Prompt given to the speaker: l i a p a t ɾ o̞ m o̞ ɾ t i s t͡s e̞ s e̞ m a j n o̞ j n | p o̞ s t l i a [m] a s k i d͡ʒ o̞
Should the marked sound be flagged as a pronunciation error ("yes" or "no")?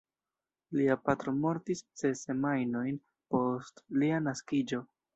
yes